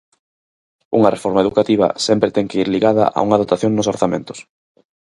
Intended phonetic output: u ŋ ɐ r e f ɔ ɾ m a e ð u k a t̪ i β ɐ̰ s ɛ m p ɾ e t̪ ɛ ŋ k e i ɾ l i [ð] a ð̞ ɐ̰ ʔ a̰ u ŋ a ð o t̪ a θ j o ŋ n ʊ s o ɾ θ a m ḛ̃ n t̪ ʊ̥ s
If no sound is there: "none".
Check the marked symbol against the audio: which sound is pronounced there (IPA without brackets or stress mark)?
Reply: ɣ